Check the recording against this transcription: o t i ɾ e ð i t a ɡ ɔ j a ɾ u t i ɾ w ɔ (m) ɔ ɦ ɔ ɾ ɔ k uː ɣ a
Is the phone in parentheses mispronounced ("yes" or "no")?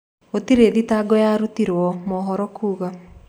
no